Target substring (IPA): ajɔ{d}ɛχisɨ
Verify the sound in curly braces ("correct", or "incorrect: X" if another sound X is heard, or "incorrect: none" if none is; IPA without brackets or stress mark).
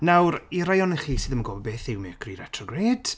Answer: incorrect: n